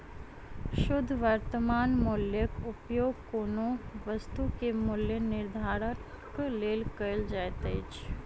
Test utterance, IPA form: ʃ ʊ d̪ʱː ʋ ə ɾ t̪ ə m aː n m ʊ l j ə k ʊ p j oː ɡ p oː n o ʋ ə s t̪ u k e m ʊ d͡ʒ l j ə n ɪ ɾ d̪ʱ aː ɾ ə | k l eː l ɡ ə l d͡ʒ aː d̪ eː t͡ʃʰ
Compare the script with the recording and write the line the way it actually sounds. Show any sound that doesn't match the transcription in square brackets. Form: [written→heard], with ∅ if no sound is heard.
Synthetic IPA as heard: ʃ ʊ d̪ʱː ʋ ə ɾ t̪ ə m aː n m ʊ l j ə k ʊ p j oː ɡ [p→k] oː n o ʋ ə s t̪ u k e m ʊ [d͡ʒ→∅] l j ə n ɪ ɾ d̪ʱ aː ɾ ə | k l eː l [ɡ→k] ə l d͡ʒ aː [d̪→t̪] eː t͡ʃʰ